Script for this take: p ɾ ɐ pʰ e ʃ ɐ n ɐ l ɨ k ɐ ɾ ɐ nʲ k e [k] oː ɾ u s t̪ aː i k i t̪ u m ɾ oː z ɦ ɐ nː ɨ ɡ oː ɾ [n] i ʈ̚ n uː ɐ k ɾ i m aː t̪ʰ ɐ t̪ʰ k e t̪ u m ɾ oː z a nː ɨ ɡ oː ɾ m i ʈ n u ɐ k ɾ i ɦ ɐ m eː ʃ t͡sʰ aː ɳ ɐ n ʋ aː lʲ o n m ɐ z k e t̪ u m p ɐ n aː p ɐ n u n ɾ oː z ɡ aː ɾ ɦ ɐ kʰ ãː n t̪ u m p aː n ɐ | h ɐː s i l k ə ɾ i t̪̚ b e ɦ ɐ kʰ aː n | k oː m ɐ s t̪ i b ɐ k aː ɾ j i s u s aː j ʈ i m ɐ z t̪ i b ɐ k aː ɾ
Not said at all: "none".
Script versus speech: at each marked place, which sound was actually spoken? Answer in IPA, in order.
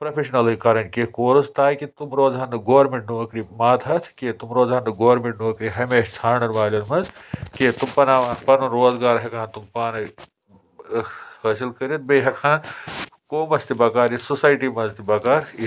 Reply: k, m

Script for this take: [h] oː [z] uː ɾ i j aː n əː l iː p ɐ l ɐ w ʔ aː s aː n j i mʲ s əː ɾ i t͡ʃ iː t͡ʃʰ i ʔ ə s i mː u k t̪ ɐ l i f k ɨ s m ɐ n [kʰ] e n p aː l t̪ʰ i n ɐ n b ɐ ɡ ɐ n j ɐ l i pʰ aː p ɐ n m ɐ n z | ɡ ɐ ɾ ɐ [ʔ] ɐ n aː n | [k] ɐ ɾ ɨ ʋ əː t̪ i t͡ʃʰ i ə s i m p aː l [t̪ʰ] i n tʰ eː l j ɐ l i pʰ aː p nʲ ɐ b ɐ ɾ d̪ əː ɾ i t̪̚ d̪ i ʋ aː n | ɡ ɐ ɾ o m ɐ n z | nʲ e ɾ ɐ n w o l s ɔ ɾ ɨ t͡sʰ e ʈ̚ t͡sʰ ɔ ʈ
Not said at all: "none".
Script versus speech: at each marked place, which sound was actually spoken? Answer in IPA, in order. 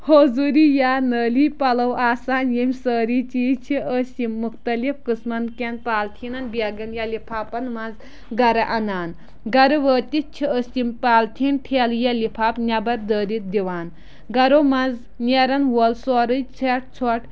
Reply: h, z, k, ʔ, ɡ, t̪ʰ

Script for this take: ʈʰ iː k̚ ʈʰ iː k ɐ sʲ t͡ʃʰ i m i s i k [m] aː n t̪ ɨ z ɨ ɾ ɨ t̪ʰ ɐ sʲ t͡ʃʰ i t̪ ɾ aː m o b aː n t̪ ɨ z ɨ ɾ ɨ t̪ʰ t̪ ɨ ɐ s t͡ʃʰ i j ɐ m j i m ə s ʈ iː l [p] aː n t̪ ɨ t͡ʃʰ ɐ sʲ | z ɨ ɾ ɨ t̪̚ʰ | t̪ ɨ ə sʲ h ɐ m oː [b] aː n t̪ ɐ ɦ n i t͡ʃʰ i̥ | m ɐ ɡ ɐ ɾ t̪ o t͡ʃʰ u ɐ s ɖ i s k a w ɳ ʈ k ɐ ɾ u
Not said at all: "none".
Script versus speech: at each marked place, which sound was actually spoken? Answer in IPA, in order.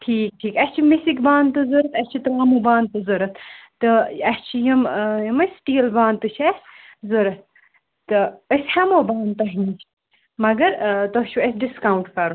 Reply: b, b, b

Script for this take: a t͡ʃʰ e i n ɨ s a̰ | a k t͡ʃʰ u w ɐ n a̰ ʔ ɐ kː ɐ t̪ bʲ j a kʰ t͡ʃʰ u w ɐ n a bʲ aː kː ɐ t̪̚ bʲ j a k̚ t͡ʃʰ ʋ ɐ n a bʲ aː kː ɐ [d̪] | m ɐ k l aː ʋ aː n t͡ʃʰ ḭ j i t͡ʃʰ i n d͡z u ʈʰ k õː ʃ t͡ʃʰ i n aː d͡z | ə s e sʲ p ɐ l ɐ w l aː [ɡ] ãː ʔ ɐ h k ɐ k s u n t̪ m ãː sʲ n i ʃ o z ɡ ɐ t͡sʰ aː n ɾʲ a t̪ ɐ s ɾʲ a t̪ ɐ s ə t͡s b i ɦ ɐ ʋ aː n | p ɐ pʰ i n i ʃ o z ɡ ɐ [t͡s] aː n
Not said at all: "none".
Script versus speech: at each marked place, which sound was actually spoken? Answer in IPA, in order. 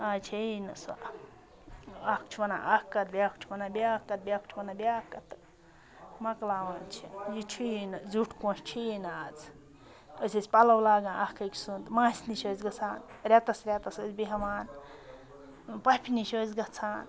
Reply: t̪, ɡ, t͡sʰ

